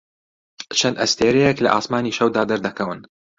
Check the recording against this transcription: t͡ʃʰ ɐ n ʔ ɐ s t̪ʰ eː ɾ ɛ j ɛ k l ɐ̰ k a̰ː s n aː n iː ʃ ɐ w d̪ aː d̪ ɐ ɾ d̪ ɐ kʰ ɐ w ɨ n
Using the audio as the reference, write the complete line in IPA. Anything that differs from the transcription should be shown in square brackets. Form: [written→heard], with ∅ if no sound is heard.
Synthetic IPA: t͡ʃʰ ɐ n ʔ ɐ s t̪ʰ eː ɾ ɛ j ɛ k l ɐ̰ [k→ʔ] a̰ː s [n→m] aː n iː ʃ ɐ w d̪ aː d̪ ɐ ɾ d̪ ɐ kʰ ɐ w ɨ n